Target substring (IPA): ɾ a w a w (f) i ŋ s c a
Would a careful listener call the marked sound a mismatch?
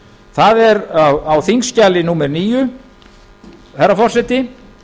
yes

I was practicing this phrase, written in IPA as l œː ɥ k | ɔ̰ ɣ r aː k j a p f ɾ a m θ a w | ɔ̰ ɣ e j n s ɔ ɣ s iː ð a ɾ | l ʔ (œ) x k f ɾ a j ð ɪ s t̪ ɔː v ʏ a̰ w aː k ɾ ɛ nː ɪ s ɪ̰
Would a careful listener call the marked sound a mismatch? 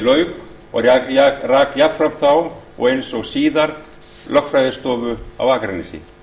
no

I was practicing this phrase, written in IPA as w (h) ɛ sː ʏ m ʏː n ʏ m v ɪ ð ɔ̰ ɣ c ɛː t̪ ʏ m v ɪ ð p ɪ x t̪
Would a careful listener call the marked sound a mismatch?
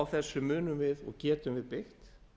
yes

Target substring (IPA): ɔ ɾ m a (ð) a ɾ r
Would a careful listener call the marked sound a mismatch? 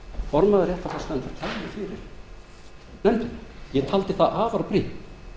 no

